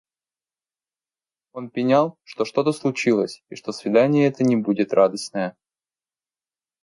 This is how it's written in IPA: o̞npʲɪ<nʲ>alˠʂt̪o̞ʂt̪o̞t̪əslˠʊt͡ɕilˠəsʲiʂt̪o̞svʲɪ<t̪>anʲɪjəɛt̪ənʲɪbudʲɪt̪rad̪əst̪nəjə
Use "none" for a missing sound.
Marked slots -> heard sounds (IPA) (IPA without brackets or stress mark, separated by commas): nʲ, d̪